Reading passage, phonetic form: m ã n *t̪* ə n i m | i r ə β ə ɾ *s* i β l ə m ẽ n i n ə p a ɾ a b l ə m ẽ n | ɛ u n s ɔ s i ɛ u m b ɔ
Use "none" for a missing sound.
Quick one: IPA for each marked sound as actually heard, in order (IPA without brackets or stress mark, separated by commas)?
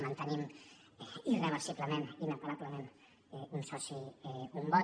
t̪, s